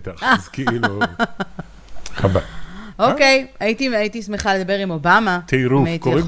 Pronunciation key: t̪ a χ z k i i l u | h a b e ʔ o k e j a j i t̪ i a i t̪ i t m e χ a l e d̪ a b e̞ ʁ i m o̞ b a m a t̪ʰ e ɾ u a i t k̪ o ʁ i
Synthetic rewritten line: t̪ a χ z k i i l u | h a b a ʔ o k e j a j i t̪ i a i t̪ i s m e χ a l e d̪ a b e̞ ʁ i m o̞ b a m a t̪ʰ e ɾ u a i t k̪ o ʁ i